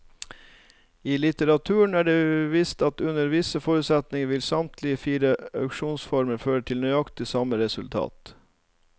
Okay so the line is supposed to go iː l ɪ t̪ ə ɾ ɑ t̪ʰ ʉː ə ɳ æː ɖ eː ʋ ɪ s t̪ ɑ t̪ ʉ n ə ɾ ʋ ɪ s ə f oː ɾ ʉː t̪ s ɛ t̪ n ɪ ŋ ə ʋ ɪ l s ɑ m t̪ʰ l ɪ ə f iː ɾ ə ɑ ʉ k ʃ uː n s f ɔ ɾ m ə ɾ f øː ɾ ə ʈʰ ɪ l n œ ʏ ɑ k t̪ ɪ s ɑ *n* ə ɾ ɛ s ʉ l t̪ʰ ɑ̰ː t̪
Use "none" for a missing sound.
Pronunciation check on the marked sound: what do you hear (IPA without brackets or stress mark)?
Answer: m